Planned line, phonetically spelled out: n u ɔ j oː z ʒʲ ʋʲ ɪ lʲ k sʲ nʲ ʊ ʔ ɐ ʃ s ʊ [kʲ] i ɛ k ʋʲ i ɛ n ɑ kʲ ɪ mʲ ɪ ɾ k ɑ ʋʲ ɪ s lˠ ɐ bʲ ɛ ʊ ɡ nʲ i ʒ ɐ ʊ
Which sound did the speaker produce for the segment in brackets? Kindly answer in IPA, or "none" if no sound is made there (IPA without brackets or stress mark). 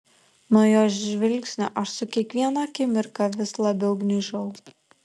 kʲ